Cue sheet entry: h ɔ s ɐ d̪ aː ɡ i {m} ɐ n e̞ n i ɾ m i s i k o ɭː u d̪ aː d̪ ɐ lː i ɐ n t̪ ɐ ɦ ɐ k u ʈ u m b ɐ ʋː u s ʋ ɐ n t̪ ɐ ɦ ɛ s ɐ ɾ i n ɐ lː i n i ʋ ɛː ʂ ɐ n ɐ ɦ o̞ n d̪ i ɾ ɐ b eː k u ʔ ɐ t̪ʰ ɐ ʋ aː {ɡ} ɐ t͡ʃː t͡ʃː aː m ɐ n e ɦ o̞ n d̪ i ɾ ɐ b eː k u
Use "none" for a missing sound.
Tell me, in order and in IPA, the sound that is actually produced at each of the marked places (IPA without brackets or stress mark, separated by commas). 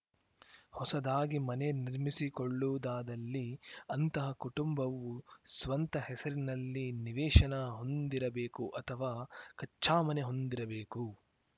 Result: m, k